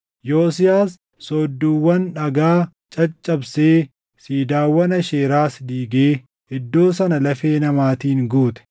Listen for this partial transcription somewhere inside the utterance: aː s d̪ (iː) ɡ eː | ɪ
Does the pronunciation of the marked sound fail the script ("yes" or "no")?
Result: no